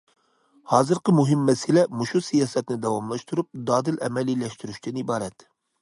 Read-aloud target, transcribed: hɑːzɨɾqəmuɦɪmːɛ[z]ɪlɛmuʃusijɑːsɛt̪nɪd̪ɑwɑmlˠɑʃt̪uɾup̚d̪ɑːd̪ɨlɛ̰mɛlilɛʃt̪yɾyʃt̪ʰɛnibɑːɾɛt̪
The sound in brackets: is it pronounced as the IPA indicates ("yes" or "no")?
no